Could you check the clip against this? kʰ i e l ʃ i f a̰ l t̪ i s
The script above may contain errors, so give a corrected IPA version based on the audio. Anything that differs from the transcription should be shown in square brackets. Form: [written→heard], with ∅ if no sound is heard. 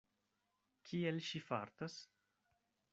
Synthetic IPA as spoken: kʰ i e l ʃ i f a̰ [l→ɾ] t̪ [i→a] s

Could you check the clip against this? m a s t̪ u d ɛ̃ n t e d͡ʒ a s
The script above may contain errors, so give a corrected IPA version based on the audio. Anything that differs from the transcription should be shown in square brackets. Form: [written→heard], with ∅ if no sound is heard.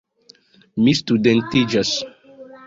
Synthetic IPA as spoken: m [a→i] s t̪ u d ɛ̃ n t [e→i] d͡ʒ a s

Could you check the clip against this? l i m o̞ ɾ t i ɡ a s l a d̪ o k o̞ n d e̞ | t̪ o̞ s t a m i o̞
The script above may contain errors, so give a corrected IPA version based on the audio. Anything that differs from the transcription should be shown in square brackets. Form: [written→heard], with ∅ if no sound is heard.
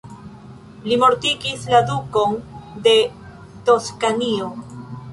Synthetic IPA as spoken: l i m o̞ ɾ t i ɡ [a→i] s l a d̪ [o→u] k o̞ n d e̞ | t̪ o̞ s [t→k] a [m→n] i o̞

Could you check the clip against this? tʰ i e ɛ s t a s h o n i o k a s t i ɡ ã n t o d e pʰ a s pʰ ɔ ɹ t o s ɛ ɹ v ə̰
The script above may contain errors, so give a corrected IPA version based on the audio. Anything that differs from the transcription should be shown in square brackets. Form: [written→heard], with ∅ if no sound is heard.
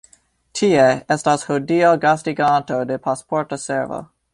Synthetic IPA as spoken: tʰ i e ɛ s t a s h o [n→d] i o [k→ɡ] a s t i ɡ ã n t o d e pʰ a s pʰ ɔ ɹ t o s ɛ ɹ v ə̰

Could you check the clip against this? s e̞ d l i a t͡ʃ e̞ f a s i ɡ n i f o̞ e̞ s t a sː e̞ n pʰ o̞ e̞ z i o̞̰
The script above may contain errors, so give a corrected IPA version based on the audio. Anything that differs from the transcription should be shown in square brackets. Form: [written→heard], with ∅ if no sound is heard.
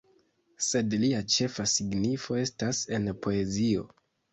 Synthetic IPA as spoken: s e̞ d l i a t͡ʃ e̞ f a s i ɡ n i f o̞ e̞ s t a [sː→s] e̞ n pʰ o̞ e̞ z i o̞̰

